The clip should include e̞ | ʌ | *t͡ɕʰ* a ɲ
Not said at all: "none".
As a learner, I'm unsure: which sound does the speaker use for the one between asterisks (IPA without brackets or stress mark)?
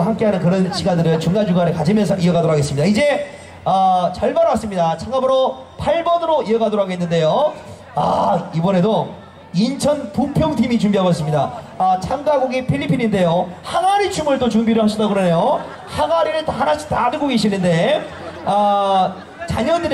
t͡ɕ